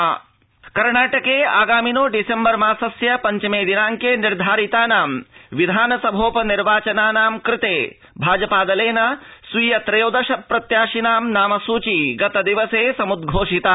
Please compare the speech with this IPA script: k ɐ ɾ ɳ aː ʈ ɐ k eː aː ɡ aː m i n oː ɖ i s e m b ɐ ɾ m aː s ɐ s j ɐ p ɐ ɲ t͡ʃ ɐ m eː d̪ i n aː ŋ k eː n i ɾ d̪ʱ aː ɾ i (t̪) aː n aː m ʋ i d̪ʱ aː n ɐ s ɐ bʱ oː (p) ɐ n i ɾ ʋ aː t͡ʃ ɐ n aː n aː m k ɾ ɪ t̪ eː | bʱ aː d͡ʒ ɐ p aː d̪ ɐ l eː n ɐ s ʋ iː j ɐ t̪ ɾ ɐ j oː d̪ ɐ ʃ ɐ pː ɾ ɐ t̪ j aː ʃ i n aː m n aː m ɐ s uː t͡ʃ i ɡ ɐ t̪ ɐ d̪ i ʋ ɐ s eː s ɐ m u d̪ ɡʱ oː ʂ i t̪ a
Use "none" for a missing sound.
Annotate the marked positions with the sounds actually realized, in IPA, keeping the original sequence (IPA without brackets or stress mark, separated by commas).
t̪, p